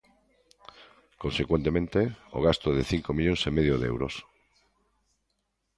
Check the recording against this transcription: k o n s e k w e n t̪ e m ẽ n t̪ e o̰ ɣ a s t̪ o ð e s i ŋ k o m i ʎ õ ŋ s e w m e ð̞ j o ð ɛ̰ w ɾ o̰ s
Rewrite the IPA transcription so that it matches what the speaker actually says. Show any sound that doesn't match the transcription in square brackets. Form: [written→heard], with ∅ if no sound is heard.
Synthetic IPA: k o n s e k w e n t̪ e m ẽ n t̪ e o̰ ɣ a s t̪ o ð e [s→θ] i ŋ k o m i ʎ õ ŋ s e [w→∅] m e ð̞ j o ð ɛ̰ w ɾ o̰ s

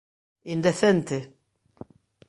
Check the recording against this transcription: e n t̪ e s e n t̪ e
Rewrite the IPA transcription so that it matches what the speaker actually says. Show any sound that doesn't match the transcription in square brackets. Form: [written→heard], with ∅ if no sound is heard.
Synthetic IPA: [e→i] n [t̪→d̪] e [s→θ] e n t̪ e

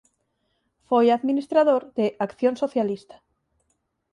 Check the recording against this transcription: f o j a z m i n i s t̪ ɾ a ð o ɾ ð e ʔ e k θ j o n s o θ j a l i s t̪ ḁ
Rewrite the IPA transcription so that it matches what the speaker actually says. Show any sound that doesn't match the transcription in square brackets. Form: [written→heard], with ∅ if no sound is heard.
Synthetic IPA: f o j a [z→ð] m i n i s t̪ ɾ a ð o ɾ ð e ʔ [e→a] k θ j o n s o θ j a l i s t̪ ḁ

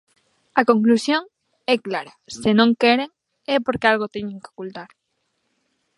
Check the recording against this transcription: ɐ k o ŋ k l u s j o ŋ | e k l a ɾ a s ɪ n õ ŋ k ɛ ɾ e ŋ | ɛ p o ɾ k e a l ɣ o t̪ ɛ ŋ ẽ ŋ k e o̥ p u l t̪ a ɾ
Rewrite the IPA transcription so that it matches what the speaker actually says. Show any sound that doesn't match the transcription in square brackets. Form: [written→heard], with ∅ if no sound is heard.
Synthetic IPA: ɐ k o ŋ k l u s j o ŋ | [e→ɛ] k l a ɾ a s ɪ n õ ŋ k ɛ ɾ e ŋ | ɛ p o ɾ k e a l ɣ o t̪ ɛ [ŋ→ɲ] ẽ ŋ k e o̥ [p→k] u l t̪ a ɾ

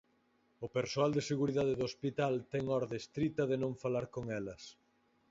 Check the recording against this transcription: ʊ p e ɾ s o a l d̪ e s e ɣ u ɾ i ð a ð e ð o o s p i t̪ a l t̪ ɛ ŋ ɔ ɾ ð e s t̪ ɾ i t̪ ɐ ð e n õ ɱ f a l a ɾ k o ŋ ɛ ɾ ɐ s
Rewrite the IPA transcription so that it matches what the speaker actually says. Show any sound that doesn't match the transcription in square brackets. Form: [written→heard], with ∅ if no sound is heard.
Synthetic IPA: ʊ p e ɾ s o a l d̪ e s e ɣ u ɾ i ð a ð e ð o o s p i t̪ a l t̪ ɛ ŋ ɔ ɾ ð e s t̪ ɾ i t̪ ɐ ð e n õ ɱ f a l a ɾ k o ŋ ɛ [ɾ→l] ɐ s

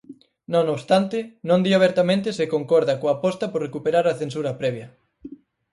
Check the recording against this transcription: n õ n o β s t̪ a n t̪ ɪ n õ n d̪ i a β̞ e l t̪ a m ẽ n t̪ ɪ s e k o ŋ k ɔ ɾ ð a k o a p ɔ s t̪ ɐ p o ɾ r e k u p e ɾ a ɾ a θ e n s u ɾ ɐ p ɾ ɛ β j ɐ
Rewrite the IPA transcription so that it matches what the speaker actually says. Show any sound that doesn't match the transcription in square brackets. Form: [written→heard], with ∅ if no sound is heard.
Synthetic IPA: n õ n o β s t̪ a n t̪ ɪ n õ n d̪ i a β̞ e [l→ɾ] t̪ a m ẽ n t̪ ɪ s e k o ŋ k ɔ ɾ ð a k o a p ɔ s t̪ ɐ p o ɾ r e k u p e ɾ a ɾ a θ e n s u ɾ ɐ p ɾ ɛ β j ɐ

